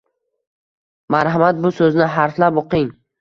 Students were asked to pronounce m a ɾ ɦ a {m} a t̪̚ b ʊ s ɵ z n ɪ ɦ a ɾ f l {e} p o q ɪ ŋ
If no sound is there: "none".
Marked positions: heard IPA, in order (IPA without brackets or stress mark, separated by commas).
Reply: m, a